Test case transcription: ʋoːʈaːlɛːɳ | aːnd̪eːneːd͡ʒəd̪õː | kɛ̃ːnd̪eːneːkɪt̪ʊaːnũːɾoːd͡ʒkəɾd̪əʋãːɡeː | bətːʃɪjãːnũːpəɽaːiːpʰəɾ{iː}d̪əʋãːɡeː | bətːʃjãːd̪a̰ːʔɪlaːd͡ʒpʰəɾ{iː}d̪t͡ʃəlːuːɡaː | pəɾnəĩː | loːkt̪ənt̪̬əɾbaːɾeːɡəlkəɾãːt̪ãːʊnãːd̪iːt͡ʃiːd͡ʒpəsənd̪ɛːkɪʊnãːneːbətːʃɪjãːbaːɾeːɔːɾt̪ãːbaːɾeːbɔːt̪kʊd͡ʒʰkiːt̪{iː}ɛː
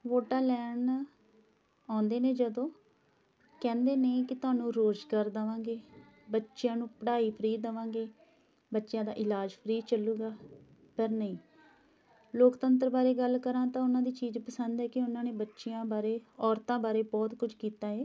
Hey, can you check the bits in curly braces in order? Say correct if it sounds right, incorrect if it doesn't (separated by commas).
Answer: correct, correct, incorrect